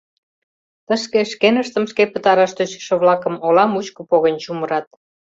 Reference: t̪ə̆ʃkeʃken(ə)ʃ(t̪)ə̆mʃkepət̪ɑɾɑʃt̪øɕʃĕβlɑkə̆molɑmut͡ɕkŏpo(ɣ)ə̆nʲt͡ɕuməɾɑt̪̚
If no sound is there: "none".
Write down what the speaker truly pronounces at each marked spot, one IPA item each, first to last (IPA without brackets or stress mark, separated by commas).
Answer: ə, t̪, ɣ